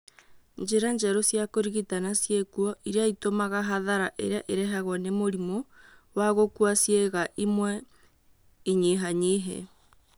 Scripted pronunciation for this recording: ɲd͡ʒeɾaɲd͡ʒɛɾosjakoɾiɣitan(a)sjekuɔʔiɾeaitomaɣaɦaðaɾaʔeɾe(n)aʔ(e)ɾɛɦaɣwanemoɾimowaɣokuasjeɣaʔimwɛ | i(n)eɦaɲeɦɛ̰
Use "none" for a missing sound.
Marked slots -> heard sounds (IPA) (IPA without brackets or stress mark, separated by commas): a, none, e, ɲ